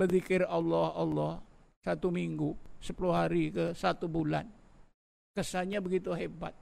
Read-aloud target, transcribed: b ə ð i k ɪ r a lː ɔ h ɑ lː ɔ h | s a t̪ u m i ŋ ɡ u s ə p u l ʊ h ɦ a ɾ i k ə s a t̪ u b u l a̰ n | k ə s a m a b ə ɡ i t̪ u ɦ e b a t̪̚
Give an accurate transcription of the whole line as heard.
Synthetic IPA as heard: b ə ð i k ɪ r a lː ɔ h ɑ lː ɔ h | s a t̪ u m i ŋ ɡ u s ə p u l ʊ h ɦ a ɾ i k ə s a t̪ u b u l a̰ n | k ə s a ɲ a b ə ɡ i t̪ u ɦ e b a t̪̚